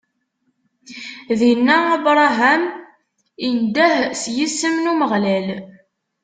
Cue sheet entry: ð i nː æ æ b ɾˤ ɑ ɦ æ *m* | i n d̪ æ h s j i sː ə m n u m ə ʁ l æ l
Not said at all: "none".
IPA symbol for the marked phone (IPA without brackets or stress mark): m